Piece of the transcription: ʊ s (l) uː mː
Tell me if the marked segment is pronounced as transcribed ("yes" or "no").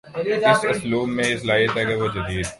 yes